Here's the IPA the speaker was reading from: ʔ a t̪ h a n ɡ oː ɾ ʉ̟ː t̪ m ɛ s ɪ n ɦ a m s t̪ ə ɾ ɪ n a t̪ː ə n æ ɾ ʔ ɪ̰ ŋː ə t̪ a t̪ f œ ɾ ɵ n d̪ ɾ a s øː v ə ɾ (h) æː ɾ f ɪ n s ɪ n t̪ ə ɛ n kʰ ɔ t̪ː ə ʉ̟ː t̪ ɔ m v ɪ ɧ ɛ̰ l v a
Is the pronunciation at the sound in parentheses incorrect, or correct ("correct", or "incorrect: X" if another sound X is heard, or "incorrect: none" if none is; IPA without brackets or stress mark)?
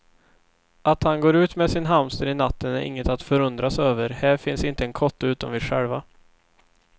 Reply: correct